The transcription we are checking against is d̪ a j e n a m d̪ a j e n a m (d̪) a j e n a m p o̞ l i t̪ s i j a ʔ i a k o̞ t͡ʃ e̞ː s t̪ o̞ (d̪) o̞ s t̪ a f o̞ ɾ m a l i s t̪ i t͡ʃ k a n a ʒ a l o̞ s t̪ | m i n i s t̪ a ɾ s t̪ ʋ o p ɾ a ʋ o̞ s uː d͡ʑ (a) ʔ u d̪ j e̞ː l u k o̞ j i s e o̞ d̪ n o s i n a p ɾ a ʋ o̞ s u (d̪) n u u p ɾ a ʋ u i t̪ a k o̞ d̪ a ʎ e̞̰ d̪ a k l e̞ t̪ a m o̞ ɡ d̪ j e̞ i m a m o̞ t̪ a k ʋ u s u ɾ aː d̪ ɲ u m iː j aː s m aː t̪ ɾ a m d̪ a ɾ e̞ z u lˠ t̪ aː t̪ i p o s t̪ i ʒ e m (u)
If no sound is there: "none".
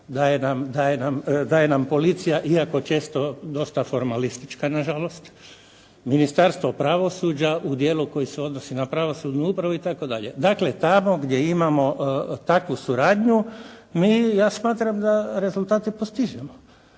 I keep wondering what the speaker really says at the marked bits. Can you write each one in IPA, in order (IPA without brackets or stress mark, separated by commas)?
d̪, d̪, a, d̪, o